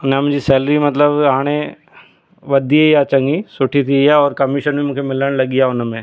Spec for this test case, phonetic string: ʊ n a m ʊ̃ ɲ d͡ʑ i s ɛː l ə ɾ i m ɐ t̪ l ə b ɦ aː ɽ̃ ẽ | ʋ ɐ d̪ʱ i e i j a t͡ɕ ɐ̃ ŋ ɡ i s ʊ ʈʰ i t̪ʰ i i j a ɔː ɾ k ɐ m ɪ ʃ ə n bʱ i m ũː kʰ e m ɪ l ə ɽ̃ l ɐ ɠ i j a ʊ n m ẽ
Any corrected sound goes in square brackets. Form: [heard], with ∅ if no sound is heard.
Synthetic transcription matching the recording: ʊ n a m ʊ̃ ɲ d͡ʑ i s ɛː l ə ɾ i m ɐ t̪ l ə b ɦ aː ɽ̃ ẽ | ʋ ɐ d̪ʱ i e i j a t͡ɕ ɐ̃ ŋ ɡ i s ʊ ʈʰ i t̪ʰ i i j a ɔː ɾ k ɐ m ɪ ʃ ə n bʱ i m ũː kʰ e m ɪ l ə ɽ̃ l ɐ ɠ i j a ʊ n m ẽ